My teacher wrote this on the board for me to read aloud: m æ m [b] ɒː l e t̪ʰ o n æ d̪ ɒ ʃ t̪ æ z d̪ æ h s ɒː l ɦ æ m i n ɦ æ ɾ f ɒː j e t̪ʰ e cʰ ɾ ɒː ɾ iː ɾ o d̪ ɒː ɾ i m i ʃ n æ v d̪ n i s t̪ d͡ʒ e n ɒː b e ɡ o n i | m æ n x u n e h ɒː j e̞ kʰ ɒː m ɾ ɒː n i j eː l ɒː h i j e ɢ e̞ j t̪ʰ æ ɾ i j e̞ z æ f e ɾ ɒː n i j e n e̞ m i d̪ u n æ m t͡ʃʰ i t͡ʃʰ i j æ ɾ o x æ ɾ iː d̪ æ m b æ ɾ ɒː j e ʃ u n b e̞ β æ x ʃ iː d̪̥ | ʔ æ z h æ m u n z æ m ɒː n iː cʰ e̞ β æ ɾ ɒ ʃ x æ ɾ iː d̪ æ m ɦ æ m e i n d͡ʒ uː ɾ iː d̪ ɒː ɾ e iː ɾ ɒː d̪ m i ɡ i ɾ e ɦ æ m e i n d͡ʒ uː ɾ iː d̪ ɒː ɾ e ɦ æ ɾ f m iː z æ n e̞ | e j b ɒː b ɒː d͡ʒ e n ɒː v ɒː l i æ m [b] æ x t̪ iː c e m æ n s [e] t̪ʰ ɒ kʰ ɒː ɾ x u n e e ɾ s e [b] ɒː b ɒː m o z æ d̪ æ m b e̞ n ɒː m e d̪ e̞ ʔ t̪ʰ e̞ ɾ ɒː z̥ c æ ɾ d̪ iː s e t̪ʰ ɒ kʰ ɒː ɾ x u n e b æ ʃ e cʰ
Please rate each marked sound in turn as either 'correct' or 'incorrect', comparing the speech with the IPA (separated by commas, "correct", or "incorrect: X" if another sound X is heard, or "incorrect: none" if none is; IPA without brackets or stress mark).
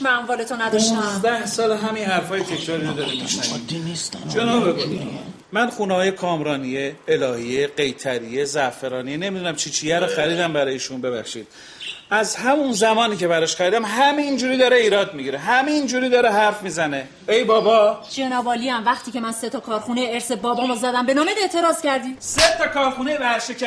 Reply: incorrect: v, incorrect: v, correct, correct